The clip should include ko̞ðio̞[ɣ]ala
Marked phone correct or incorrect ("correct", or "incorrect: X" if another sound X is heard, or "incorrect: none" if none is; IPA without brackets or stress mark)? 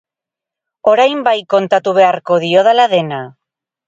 incorrect: ð